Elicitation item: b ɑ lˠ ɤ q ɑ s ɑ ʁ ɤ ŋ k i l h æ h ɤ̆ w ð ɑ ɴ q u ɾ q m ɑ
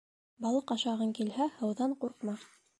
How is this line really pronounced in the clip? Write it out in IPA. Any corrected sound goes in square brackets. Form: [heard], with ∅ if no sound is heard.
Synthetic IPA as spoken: b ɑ lˠ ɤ q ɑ [ʃ] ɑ ʁ ɤ ŋ k i l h æ h ɤ̆ w ð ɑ ɴ q u ɾ q m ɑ